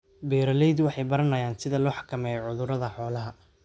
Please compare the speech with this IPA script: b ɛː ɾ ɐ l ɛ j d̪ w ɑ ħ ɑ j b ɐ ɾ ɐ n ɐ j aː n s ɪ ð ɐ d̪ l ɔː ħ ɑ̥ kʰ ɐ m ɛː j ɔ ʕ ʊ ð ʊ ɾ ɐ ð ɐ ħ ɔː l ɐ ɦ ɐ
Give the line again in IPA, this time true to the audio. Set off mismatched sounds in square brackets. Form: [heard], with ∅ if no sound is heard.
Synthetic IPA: b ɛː ɾ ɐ l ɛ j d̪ w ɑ ħ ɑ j b ɐ ɾ ɐ n ɐ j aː n s ɪ ð ɐ [∅] l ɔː ħ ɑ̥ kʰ ɐ m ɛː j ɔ ʕ ʊ ð ʊ ɾ ɐ ð ɐ ħ ɔː l ɐ ɦ ɐ